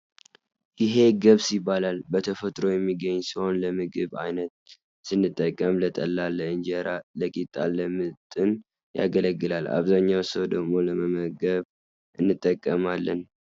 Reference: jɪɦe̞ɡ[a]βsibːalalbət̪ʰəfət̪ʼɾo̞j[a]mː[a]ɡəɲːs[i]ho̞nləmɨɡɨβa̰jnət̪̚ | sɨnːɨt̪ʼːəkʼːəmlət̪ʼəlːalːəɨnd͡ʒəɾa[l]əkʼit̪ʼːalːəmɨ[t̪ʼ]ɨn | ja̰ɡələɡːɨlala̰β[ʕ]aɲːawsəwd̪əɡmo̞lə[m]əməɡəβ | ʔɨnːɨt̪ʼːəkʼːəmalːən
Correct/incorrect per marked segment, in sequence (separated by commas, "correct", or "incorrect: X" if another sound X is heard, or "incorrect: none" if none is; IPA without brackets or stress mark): incorrect: ə, incorrect: ɛ, incorrect: i, correct, correct, correct, incorrect: z, correct